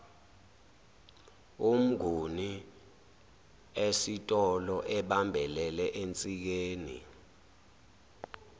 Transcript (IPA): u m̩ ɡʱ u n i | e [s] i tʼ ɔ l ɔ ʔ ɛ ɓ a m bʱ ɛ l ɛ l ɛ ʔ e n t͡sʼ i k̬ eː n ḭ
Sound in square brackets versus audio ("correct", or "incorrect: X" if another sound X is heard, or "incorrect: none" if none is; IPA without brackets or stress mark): correct